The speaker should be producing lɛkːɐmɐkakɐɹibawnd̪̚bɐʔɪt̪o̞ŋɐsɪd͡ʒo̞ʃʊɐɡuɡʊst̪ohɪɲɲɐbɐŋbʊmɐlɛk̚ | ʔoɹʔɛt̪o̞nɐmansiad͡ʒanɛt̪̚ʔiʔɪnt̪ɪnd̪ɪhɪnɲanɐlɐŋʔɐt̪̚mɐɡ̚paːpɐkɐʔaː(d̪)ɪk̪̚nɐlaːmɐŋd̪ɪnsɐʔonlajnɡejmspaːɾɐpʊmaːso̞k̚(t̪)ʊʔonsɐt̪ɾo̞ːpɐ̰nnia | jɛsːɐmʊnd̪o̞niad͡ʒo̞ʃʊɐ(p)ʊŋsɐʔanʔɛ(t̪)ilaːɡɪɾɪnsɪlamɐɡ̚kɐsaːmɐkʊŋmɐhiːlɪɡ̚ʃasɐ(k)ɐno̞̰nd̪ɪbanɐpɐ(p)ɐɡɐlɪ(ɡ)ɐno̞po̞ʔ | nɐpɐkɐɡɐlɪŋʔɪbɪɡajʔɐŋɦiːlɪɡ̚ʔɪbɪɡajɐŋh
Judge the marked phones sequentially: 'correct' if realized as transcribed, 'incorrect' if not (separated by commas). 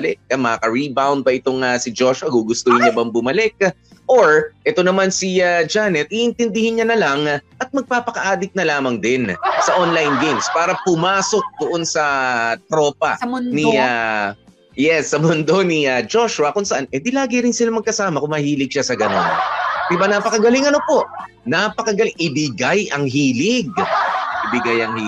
correct, incorrect, incorrect, incorrect, incorrect, incorrect, incorrect